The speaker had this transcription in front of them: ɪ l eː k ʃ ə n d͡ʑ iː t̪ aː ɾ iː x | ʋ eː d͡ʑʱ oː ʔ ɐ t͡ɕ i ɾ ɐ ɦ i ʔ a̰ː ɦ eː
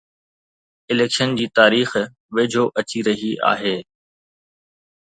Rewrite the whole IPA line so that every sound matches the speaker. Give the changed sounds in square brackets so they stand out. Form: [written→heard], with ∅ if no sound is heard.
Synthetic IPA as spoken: ɪ l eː k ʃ ə n d͡ʑ iː t̪ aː ɾ iː x | ʋ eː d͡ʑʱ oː ʔ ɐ t͡ɕ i ɾ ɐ ɦ i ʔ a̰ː ɦ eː